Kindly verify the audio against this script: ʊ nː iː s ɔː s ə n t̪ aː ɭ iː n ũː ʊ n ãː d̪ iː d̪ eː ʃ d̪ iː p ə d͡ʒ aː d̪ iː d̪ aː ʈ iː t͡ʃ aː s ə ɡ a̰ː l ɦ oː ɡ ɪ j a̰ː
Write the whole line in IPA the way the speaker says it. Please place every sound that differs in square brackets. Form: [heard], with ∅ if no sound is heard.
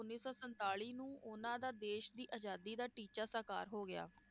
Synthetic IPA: ʊ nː iː s ɔː s ə n t̪ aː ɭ iː n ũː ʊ n ãː d̪ [aː] d̪ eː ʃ d̪ iː [ʔ] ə d͡ʒ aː d̪ iː d̪ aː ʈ iː t͡ʃ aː s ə [k] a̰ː [ɾ] ɦ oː ɡ ɪ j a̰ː